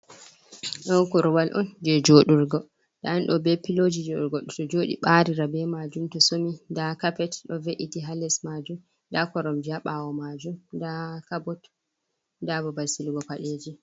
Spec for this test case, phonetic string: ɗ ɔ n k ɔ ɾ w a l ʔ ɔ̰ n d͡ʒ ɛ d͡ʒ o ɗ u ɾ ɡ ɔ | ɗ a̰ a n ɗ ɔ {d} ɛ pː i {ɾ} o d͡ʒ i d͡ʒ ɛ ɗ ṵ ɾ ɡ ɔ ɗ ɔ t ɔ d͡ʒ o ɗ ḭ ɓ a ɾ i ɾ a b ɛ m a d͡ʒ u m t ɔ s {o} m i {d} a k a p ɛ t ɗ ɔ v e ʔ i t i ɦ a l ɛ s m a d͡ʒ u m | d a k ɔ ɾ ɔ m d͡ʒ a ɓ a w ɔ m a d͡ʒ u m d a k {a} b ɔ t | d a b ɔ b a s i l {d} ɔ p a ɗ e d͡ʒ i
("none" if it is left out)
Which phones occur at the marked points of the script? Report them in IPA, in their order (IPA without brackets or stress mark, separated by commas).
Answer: b, l, o, d, a, ɡ